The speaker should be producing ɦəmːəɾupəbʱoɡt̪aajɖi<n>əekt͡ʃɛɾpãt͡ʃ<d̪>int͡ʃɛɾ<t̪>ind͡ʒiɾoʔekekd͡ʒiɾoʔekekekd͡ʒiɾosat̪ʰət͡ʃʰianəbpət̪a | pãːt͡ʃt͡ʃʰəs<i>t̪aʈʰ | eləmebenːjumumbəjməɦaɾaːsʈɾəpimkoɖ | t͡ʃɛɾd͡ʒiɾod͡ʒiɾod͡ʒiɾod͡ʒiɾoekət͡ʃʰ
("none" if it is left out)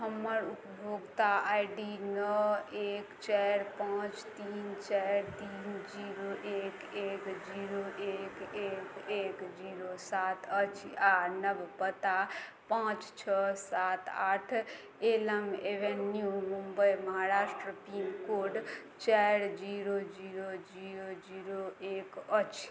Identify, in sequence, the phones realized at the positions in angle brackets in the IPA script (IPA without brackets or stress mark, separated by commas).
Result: n, t̪, t̪, a